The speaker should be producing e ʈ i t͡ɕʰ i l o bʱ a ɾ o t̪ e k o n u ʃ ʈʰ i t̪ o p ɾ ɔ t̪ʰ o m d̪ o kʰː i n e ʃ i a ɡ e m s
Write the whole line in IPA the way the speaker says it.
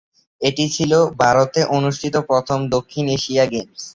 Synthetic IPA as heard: e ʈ i t͡ɕʰ i l o bʱ a ɾ o t̪ e ʔ o n u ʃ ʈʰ i t̪ o p ɾ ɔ t̪ʰ o m d̪ o kʰː i n e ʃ i a ɡ e m s